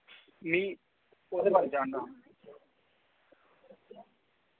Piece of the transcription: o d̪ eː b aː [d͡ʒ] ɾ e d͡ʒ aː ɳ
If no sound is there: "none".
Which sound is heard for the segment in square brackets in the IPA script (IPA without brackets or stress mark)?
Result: none